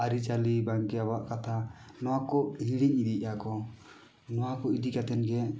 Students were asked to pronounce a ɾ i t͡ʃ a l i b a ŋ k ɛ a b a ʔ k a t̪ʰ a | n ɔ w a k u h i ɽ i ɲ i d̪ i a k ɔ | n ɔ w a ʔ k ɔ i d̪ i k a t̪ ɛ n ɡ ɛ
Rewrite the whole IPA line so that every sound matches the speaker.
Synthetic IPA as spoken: a ɾ i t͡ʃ a l i b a ŋ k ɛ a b a ʔ k a t̪ʰ a | n ɔ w a k ɔ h i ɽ i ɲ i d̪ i a k ɔ | n ɔ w a k ɔ i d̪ i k a t̪ ɛ n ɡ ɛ